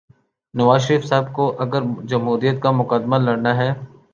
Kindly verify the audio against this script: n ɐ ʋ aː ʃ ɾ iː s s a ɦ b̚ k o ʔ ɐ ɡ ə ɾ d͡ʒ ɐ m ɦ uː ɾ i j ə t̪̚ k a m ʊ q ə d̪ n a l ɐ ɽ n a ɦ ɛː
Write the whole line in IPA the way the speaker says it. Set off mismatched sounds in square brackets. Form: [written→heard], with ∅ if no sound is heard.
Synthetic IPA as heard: n ɐ ʋ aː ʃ ɾ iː [s→f] s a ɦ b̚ k o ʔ ɐ ɡ ə ɾ d͡ʒ ɐ m ɦ uː ɾ i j ə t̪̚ k a m ʊ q ə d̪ [n→m] a l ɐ ɽ n a ɦ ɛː